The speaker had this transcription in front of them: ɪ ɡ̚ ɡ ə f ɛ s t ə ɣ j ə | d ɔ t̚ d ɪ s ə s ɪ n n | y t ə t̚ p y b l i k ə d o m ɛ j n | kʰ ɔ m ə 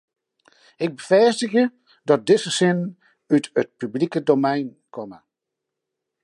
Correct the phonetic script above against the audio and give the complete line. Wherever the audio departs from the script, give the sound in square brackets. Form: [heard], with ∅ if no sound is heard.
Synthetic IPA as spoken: ɪ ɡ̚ [b] ə f ɛ s t ə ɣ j ə | d ɔ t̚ d ɪ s ə s ɪ n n | y t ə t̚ p y b l i k ə d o m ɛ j n | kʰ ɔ m ə